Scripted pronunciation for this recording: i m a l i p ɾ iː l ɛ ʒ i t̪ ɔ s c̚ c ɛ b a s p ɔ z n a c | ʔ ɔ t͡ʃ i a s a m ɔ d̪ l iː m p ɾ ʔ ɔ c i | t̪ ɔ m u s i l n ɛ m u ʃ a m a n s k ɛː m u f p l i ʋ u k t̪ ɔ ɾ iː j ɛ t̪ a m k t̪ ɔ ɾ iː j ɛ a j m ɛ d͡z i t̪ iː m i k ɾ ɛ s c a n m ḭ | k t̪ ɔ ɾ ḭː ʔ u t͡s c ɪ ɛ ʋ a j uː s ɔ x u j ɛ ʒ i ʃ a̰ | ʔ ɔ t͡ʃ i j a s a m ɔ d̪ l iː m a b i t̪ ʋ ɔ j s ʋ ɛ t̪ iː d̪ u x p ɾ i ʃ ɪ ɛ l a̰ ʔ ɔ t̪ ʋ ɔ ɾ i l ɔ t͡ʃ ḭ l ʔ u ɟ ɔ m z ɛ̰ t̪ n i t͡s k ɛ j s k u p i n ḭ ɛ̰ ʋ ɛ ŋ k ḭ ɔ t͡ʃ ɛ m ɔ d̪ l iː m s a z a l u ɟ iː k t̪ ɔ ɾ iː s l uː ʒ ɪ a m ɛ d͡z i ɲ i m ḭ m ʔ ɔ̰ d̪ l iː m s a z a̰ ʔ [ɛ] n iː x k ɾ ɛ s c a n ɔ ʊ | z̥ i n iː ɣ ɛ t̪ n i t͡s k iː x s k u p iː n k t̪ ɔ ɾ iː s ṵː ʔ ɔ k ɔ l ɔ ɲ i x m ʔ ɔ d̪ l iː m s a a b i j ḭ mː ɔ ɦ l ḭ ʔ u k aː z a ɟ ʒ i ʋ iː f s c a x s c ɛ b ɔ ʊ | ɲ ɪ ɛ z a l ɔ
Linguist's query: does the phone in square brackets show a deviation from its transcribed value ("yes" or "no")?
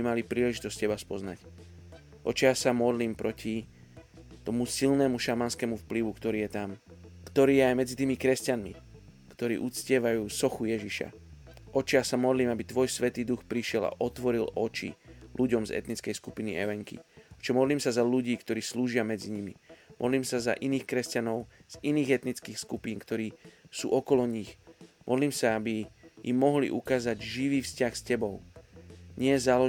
yes